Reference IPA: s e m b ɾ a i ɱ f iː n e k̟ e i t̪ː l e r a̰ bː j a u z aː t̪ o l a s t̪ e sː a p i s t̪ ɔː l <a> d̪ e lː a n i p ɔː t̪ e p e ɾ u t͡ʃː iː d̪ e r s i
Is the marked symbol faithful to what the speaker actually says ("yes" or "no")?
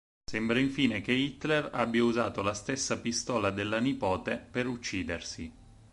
yes